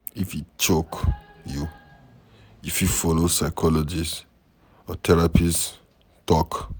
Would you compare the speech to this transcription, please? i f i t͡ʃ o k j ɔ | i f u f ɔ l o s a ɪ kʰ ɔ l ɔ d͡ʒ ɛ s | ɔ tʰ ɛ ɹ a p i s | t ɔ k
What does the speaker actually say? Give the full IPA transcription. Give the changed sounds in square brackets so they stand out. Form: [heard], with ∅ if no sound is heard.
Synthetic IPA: i f i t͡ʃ o k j [u] | i f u f ɔ l o s a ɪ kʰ ɔ l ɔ d͡ʒ [i] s | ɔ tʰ ɛ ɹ a p i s | t ɔ k